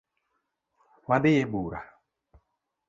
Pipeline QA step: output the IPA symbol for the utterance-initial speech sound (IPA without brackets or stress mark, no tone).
w